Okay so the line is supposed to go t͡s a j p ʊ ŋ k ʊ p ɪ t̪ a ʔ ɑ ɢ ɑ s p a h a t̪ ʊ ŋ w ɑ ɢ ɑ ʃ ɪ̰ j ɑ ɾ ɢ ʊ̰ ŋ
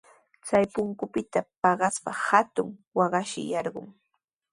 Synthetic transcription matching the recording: t͡s a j p ʊ ŋ k ʊ p ɪ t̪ a p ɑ ɢ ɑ s p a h a t̪ ʊ ŋ w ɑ ɢ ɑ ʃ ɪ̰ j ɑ ɾ ɢ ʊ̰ ŋ